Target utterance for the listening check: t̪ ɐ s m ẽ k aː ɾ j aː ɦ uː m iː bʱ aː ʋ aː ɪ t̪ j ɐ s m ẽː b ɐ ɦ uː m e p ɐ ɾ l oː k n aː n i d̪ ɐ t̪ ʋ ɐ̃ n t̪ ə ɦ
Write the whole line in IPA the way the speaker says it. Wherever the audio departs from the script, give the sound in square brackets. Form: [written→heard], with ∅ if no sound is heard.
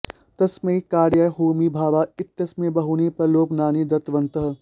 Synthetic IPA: t̪ ɐ s m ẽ k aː ɾ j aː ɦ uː m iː bʱ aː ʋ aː ɪ t̪ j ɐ s m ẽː b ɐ ɦ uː [m→n] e p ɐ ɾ l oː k n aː n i d̪ ɐ t̪ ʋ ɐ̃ n t̪ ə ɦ